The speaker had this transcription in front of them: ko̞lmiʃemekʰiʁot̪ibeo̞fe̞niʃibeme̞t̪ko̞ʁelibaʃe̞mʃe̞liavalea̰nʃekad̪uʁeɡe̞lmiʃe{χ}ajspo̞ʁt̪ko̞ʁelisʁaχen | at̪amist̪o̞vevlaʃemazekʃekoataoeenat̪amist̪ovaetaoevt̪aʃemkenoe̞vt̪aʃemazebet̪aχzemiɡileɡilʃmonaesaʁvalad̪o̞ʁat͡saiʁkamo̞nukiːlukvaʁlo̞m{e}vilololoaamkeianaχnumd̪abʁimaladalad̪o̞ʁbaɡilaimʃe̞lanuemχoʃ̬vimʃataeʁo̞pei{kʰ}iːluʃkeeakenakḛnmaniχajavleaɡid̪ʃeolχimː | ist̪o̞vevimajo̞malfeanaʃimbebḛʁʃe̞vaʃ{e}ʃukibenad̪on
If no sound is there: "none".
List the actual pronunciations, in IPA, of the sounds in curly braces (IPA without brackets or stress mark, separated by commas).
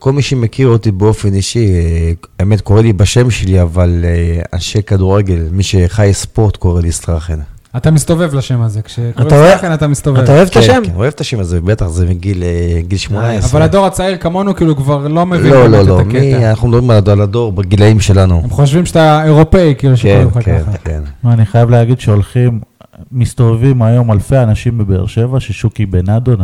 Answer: χ, e, k, e